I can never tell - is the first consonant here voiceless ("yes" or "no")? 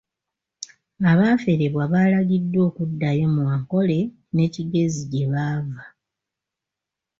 no